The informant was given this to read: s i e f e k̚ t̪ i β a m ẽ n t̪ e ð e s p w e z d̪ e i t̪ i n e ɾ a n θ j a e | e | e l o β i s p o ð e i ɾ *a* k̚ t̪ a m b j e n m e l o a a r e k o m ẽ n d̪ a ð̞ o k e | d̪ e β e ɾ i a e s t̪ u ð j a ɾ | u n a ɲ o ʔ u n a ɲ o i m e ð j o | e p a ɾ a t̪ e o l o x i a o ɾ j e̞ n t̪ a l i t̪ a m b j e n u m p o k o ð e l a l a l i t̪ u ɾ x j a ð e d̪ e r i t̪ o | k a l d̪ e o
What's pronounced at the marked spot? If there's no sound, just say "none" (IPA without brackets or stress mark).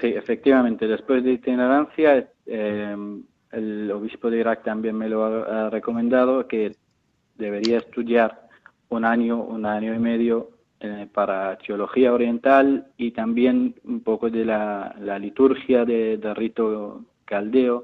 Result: a